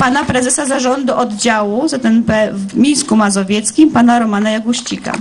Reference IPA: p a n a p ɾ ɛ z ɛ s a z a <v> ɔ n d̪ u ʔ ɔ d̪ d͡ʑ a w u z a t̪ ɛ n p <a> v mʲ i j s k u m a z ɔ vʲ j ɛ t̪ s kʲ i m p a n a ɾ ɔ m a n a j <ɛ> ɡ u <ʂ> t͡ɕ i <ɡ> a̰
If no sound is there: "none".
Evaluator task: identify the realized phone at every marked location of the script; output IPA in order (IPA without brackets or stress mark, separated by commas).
ʐ, ɛ, a, ɕ, k